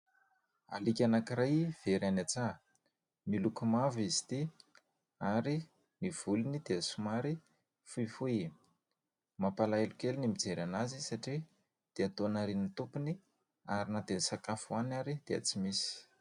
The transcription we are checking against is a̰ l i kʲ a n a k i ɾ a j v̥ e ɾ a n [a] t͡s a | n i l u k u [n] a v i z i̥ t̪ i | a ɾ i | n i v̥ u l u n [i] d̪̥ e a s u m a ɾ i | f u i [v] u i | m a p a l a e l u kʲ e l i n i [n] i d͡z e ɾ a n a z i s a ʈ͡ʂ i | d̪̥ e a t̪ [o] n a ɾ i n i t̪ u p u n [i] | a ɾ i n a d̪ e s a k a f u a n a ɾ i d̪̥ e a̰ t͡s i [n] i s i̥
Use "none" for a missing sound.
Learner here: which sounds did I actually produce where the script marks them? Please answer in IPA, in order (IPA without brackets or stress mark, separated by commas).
a, m, i, f, m, o, i, m